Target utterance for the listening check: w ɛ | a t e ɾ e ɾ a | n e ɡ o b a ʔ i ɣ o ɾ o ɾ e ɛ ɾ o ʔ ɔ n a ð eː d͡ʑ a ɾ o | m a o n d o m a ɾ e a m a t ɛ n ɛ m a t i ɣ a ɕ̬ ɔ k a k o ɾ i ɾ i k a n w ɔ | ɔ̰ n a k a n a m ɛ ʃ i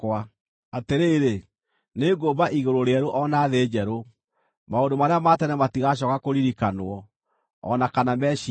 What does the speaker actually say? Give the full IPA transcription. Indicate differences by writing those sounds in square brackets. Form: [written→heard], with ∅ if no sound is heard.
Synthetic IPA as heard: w [ɛ→a] | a t e ɾ e ɾ [a→e] | n e ɡ o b a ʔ i ɣ o ɾ o ɾ e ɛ ɾ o ʔ ɔ n a ð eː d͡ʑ [a→ɛ] ɾ o | m a o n d o m a ɾ e a m a t ɛ n ɛ m a t i ɣ a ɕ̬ ɔ k a k o ɾ i ɾ i k a n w ɔ | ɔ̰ n a k a n a m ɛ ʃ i

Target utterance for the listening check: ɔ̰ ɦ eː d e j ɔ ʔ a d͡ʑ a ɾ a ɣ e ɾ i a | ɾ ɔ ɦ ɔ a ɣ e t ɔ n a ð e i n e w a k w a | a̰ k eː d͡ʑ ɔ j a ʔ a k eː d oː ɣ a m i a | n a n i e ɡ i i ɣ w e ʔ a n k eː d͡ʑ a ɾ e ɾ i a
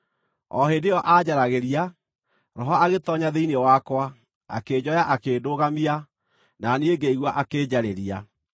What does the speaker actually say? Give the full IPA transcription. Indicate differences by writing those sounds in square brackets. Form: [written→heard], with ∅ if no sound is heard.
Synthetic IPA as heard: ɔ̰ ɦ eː d e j ɔ ʔ a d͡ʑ a ɾ a ɣ e ɾ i a | ɾ ɔ ɦ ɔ a ɣ e t ɔ [n→ɲ] a ð e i n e w a k w a | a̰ k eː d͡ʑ ɔ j a ʔ a k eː d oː ɣ a m i a | n a n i e ɡ [i→e] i ɣ w [e→a] ʔ a [n→∅] k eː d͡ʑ a ɾ e ɾ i a

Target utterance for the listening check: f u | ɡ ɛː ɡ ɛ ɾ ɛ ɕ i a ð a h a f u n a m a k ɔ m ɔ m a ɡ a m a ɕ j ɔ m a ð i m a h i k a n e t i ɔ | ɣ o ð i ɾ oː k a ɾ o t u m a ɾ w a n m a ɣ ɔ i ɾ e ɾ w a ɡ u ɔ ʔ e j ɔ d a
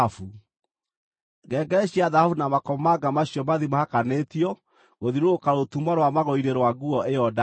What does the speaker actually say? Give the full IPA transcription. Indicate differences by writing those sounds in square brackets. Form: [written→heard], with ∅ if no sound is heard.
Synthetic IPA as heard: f u | ɡ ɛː ɡ ɛ ɾ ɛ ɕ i a ð a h a f u n a m a k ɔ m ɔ m a ɡ a m a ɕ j ɔ m a ð i m a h [i→a] k a n e t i ɔ | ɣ o ð i ɾ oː k a ɾ o t u m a ɾ w a [n→∅] m a ɣ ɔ i ɾ e ɾ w a ɡ u ɔ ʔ e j ɔ d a

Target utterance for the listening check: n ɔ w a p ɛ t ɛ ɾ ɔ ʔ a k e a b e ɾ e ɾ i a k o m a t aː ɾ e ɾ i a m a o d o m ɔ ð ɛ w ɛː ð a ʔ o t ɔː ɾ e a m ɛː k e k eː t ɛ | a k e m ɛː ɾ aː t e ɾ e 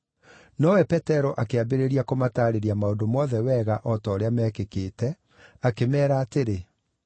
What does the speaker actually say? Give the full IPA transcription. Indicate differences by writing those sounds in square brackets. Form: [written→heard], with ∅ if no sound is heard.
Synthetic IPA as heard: n ɔ w [a→ɛ] p ɛ t ɛ ɾ ɔ ʔ a k e a b e ɾ e ɾ i a k o m a t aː ɾ e ɾ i a m a o d o m ɔ ð ɛ w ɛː [ð→ɣ] a ʔ [o→ɔ] t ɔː ɾ e a m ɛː k e k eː t ɛ | a k e m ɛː ɾ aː t e ɾ e

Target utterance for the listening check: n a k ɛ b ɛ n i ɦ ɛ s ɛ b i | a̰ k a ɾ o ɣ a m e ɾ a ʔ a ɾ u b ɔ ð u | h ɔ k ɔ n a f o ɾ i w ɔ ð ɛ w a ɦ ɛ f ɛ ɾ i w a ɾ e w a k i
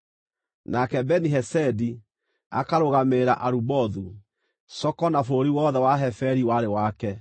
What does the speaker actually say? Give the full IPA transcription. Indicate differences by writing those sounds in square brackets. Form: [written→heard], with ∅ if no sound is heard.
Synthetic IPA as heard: n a k ɛ b ɛ n i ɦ ɛ s ɛ [b→d] i | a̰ k a ɾ o ɣ a m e ɾ a ʔ a ɾ u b ɔ ð u | [h→s] ɔ k ɔ n a f o ɾ i w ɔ ð ɛ w a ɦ ɛ f ɛ ɾ i w a ɾ e w a k [i→ɛ]

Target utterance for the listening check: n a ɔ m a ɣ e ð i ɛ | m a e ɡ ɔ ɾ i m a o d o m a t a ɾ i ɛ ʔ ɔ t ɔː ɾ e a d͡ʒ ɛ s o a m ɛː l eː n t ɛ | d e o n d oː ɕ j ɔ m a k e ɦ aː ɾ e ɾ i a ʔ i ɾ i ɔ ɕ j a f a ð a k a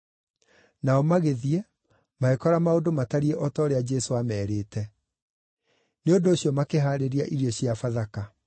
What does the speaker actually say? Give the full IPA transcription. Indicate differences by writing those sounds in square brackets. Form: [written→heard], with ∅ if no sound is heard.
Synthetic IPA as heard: n a ɔ m a ɣ e ð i ɛ | m a e [ɡ→k] ɔ ɾ [i→a] m a o d o m a t a ɾ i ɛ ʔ ɔ t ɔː ɾ e a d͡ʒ ɛ s o a m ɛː [l→ɾ] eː [n→∅] t ɛ | [d→n] e o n d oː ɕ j ɔ m a k e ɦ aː ɾ e ɾ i a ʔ i ɾ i ɔ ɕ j a f a ð a k a

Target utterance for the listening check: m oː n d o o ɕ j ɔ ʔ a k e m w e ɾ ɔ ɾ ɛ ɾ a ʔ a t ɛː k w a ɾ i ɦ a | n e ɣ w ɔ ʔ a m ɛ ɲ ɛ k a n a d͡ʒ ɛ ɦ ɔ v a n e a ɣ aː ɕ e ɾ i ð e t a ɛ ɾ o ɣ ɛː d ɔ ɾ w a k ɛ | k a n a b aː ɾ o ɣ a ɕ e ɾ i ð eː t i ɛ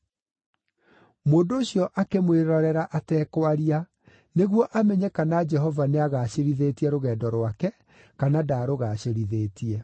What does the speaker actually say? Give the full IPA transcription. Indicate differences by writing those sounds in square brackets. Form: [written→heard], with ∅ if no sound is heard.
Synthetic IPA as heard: m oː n d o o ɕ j ɔ ʔ a k e m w e ɾ ɔ ɾ ɛ ɾ a ʔ a t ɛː k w a ɾ i [ɦ→∅] a | n e ɣ w ɔ ʔ a m ɛ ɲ ɛ k a n a d͡ʒ ɛ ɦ ɔ v a n e a ɣ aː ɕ e ɾ i ð e t [a→i] ɛ ɾ o ɣ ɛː d ɔ ɾ w a k ɛ | k a n a [b→d] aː ɾ o ɣ a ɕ e ɾ i ð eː t i ɛ

